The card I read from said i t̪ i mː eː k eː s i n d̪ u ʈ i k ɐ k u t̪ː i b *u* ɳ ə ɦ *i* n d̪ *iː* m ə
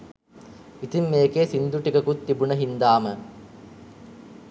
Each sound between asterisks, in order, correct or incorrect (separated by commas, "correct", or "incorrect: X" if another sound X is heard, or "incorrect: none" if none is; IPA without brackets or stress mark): correct, correct, incorrect: aː